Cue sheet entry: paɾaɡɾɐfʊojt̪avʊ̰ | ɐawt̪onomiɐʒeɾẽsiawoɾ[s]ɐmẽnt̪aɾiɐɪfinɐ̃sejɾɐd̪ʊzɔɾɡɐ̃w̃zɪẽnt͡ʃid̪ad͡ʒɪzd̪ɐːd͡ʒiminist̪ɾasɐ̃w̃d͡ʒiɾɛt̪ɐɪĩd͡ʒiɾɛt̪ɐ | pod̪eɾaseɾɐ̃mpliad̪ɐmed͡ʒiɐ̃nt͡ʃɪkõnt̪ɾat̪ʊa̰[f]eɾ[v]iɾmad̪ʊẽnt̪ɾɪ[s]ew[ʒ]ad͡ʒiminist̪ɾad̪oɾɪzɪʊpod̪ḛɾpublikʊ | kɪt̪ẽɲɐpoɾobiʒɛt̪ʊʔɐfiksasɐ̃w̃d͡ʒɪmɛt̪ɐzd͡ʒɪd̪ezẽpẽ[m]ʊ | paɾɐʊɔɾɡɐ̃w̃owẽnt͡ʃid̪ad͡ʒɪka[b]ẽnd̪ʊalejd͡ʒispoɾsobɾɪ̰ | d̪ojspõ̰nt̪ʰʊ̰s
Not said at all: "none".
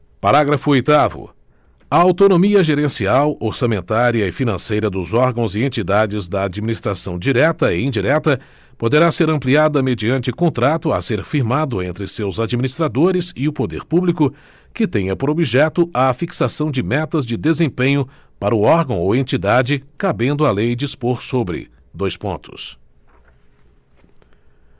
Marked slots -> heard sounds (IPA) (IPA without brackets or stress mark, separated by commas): s, s, f, s, z, ɲ, b